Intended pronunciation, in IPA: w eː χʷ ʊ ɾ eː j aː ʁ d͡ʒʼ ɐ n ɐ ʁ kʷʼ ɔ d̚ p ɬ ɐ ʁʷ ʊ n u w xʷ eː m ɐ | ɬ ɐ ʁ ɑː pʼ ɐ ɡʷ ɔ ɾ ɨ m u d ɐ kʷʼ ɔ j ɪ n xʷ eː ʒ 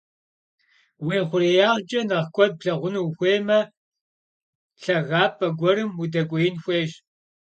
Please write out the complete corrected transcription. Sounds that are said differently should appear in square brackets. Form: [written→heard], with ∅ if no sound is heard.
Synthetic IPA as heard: w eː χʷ ʊ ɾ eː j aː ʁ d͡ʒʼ ɐ n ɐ ʁ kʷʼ ɔ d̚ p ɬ ɐ ʁʷ ʊ n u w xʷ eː m ɐ | ɬ ɐ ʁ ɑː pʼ ɐ ɡʷ ɔ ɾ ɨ m u d ɐ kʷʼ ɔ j ɪ n xʷ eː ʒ

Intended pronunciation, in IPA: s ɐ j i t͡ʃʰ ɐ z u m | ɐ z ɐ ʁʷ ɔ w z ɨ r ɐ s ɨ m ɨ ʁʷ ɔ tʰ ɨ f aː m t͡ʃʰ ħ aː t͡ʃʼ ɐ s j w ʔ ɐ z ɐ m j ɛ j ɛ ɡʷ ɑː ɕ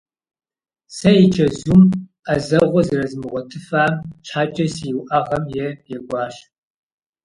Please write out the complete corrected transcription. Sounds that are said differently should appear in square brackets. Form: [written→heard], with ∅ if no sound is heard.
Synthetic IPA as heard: s ɐ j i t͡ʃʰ ɐ z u m | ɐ z ɐ ʁʷ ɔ [w→∅] z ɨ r ɐ [s→z] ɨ m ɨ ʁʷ ɔ tʰ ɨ f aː m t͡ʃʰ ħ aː t͡ʃʼ ɐ s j w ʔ ɐ [z→ʁ] ɐ m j ɛ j ɛ ɡʷ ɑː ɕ

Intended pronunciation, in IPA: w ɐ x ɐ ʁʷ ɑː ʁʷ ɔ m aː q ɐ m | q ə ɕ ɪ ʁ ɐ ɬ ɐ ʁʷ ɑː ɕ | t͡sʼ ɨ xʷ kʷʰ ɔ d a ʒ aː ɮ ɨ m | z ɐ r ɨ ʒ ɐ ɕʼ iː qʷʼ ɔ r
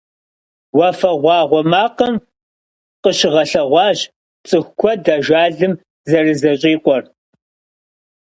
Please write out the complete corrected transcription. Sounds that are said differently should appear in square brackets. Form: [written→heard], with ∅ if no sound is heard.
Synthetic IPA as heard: w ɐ [x→f] ɐ ʁʷ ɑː ʁʷ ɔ m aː q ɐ m | q ə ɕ ɪ ʁ ɐ ɬ ɐ ʁʷ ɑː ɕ | t͡sʼ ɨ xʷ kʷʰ ɔ d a ʒ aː ɮ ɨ m | z ɐ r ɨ [ʒ→z] ɐ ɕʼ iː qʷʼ ɔ r

